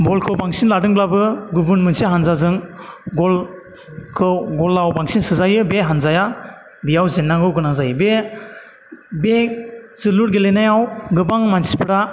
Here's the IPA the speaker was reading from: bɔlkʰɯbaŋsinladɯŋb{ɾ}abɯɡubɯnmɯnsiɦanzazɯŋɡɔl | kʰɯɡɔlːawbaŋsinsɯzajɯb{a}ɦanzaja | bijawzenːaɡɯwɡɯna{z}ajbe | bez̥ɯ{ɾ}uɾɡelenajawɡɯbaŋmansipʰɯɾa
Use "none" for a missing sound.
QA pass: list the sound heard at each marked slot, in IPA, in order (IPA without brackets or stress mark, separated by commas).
l, e, z, l